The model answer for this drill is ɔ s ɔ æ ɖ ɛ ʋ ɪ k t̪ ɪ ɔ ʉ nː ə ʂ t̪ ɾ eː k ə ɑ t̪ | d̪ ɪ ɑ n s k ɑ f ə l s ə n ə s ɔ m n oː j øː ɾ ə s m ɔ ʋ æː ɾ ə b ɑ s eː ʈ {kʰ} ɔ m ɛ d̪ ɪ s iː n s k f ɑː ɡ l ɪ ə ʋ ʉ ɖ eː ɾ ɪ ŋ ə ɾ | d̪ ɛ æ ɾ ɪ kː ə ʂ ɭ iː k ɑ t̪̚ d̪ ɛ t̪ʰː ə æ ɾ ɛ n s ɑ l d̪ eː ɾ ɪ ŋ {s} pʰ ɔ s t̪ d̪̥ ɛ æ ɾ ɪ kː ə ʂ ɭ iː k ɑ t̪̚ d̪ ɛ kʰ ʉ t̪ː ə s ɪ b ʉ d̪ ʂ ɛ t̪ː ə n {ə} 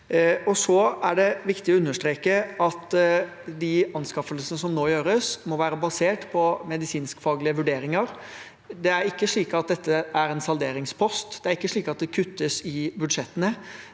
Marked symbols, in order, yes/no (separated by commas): no, yes, yes